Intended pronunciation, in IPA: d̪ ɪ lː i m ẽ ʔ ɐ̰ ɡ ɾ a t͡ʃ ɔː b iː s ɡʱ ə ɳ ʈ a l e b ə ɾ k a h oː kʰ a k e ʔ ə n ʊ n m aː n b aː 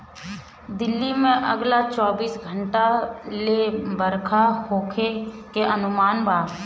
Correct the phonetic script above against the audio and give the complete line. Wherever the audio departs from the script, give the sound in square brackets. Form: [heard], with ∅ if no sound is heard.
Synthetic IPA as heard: d̪ ɪ lː i m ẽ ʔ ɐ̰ ɡ [l] a t͡ʃ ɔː b iː s ɡʱ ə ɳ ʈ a l e b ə ɾ [kʰ] a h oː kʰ [e] k e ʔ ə n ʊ [∅] m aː n b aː